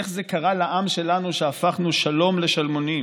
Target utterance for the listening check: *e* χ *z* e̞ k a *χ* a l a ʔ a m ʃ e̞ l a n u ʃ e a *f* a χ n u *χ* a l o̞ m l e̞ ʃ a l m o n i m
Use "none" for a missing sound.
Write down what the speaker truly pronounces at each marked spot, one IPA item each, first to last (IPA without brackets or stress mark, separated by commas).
e, z, ʁ, f, ʃ